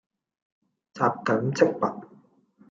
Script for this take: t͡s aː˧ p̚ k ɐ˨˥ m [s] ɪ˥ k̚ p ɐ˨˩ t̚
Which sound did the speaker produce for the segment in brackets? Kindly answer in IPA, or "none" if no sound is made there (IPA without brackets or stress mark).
t͡s